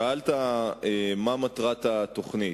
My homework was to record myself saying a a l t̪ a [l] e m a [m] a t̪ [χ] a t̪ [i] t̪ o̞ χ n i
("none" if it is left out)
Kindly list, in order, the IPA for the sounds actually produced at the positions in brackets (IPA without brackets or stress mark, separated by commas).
none, m, ʁ, a